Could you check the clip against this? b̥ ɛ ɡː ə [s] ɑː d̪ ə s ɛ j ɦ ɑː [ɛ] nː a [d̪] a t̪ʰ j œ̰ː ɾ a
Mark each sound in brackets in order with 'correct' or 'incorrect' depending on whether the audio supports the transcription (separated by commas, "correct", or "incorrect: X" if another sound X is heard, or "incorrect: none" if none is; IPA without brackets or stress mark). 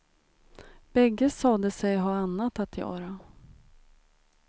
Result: correct, incorrect: a, incorrect: t̪